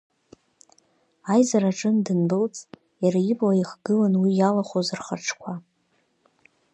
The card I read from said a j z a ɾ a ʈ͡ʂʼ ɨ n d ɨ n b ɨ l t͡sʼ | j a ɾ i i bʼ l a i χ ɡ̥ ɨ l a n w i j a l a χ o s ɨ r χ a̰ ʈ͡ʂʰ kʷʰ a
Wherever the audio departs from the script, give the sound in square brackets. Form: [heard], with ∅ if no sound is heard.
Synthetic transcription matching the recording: a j z a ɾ a ʈ͡ʂʼ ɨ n d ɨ n b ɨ l t͡sʼ | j a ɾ [a] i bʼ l a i χ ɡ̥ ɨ l a n w i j a l a χ o [z] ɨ r χ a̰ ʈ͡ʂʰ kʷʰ a